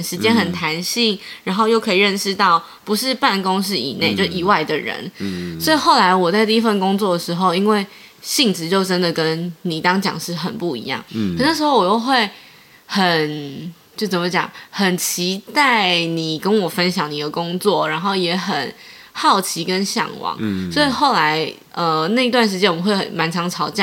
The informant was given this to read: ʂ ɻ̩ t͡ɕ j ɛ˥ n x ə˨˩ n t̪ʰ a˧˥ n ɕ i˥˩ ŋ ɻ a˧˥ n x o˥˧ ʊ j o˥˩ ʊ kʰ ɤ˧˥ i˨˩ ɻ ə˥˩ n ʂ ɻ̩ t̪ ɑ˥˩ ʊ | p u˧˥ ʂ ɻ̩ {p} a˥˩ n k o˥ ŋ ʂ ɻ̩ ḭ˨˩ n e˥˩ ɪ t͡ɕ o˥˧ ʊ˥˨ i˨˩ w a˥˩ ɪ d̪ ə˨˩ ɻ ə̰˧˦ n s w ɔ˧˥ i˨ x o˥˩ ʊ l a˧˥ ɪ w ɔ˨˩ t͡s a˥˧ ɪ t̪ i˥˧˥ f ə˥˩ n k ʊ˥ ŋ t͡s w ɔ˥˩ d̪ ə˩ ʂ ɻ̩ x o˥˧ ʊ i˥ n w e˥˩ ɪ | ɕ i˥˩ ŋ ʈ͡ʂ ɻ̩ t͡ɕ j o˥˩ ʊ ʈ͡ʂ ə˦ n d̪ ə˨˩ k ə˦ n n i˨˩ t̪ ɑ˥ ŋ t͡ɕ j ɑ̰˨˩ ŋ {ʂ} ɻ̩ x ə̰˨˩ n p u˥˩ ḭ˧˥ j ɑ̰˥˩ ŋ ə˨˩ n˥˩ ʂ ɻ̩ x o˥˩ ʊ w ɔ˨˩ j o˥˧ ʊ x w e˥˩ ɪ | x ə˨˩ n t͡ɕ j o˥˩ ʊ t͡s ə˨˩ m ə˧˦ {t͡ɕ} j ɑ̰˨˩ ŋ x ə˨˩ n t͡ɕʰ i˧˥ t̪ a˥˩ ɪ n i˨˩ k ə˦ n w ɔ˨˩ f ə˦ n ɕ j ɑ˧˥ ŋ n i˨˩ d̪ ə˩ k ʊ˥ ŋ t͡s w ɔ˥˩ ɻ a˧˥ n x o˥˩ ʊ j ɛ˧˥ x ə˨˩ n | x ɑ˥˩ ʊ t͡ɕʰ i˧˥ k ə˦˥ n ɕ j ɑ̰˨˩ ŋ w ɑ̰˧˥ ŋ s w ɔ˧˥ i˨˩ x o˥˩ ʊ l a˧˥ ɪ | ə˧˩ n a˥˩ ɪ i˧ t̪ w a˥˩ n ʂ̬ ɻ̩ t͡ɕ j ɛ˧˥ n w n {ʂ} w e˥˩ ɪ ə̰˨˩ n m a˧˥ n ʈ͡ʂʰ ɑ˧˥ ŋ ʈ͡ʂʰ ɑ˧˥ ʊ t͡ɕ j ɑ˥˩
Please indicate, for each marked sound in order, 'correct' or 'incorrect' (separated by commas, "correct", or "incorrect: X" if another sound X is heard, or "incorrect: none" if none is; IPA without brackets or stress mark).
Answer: correct, correct, correct, incorrect: x